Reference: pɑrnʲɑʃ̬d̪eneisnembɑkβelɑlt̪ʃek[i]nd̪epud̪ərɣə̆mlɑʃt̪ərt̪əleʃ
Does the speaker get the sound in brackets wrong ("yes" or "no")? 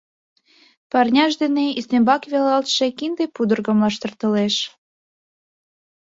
no